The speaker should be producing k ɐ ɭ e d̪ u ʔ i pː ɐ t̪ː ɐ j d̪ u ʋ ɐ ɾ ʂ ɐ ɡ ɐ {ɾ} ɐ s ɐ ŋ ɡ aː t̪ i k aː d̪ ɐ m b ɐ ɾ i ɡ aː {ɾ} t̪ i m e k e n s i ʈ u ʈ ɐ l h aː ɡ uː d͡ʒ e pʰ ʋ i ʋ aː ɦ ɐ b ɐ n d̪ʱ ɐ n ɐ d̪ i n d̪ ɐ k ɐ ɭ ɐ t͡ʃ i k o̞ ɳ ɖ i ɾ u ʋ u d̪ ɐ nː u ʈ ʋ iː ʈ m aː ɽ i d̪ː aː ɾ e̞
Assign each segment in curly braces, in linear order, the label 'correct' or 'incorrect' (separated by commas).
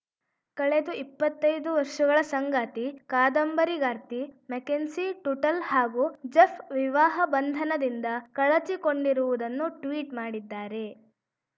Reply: incorrect, correct